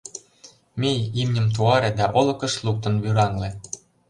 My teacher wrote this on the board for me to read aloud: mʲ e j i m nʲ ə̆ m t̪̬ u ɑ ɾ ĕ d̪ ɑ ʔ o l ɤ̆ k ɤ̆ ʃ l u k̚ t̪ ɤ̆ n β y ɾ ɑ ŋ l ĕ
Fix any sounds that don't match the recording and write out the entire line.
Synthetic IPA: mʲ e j i m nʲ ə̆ m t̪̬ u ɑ ɾ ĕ d̪ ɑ ʔ o l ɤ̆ k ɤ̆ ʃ l u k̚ t̪ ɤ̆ n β y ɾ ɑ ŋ l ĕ